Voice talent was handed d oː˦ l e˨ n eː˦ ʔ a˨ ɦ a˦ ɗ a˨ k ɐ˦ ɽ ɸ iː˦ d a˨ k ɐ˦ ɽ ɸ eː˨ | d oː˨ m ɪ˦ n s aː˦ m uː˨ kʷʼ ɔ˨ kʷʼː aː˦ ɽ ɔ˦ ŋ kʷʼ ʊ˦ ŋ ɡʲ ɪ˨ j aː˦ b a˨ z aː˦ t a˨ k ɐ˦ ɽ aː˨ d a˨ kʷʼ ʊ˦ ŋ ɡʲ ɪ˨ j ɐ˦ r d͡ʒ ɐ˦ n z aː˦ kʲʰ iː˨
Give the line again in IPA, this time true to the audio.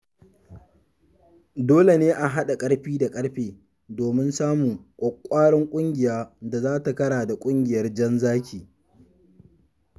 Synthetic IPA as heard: d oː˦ l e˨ n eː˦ ʔ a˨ ɦ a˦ ɗ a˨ kʼ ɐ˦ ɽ ɸ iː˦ d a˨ kʼ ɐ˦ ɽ ɸ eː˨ | d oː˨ m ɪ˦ n s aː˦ m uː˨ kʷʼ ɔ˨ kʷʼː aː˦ ɽ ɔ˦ ŋ kʷʼ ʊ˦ ŋ ɡʲ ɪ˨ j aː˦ d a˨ z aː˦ t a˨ k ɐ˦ ɽ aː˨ d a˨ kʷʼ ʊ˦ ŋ ɡʲ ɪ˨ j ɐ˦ r d͡ʒ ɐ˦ n z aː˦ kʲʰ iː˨